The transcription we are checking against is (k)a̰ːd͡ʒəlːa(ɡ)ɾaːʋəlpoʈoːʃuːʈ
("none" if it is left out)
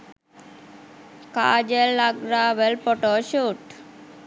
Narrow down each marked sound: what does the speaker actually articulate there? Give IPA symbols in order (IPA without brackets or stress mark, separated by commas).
k, ɡ